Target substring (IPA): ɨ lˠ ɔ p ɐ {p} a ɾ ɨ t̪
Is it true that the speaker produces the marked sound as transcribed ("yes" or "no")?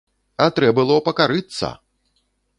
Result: no